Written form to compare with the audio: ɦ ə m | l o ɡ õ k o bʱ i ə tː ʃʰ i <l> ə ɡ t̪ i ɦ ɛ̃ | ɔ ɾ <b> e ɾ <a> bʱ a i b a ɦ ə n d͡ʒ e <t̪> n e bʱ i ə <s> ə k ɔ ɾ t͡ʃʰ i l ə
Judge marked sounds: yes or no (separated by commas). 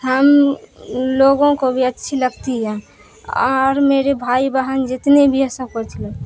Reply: yes, no, no, yes, yes